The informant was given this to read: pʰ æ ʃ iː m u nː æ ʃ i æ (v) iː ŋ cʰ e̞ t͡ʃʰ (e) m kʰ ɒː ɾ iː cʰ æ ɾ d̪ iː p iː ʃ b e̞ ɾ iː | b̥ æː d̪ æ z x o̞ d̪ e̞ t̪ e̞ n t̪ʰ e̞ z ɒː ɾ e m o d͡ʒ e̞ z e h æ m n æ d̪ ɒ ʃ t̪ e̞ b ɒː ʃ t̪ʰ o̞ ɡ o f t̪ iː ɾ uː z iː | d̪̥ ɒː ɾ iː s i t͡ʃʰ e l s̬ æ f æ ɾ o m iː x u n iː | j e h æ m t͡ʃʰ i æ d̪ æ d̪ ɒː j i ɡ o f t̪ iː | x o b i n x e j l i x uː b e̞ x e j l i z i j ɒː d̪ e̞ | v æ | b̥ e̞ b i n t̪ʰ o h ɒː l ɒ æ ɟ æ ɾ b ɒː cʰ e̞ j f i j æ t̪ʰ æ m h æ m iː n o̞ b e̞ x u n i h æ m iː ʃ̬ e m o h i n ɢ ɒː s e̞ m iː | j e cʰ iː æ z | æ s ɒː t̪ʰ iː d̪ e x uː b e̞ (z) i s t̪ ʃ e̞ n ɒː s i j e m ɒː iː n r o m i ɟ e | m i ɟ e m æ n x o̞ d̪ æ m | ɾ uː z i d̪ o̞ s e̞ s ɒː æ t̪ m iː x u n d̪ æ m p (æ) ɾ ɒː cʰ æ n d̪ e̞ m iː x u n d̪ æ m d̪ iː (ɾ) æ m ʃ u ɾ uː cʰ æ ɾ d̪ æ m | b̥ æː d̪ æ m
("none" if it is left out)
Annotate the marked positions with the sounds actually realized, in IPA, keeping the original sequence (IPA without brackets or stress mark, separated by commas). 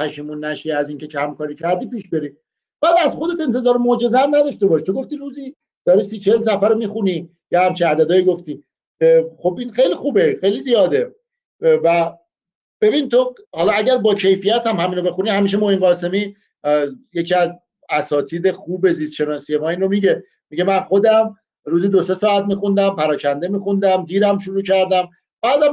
z, æ, z, æ, ɾ